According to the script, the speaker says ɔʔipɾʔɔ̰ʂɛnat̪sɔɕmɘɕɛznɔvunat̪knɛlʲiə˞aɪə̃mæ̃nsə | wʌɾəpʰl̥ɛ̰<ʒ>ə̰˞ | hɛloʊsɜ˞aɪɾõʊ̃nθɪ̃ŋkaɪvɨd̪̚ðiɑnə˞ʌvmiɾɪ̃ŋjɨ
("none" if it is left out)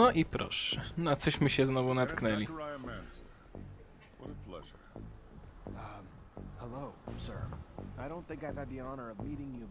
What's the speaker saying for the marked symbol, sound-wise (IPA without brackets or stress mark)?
ʒ